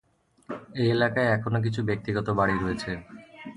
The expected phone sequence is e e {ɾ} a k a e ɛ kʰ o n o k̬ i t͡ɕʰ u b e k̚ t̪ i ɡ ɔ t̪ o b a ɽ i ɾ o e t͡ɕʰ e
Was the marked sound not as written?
yes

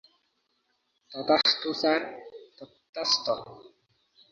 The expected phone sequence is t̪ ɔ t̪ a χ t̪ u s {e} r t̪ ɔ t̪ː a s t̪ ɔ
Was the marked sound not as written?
yes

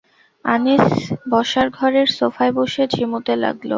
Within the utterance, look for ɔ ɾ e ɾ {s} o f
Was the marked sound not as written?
no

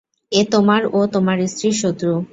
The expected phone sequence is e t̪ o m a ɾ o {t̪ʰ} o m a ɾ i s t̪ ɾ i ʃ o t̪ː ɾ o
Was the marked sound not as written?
yes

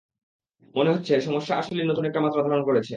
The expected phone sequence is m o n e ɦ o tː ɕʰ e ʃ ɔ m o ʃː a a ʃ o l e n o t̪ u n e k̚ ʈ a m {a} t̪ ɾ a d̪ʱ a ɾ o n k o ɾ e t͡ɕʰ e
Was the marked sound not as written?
no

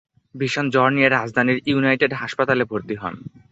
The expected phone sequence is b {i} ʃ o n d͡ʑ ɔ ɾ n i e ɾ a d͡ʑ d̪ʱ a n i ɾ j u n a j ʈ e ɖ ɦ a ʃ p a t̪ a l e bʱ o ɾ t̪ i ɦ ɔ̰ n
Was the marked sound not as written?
no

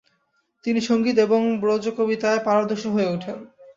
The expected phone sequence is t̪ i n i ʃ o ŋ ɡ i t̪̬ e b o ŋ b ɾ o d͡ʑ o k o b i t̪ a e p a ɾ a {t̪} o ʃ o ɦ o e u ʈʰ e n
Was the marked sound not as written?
yes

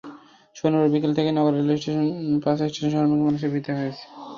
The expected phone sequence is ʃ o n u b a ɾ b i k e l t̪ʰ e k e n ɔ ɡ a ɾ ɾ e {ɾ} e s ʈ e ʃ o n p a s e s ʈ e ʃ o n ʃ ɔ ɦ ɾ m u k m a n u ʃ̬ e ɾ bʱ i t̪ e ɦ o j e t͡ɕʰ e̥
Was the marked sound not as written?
yes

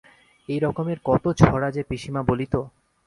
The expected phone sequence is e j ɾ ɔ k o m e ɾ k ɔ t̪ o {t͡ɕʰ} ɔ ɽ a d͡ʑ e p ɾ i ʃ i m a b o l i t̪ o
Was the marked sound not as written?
no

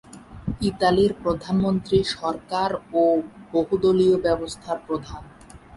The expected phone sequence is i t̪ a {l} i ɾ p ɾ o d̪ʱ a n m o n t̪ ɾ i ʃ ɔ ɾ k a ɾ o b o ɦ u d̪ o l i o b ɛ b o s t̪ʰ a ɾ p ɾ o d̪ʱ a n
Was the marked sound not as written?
no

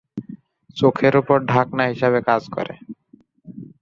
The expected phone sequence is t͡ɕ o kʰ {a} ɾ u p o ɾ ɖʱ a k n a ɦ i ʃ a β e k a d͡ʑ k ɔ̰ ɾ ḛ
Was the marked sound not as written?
yes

